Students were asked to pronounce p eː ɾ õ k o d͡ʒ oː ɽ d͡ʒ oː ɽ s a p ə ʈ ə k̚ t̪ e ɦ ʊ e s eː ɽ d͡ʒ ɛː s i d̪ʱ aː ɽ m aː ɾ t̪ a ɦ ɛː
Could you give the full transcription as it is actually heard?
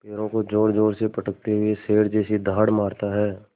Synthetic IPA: p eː ɾ õ k o d͡ʒ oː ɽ d͡ʒ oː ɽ s e p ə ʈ ə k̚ t̪ e ɦ ʊ e s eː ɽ d͡ʒ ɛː s i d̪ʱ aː ɽ m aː ɾ t̪ a ɦ ɛː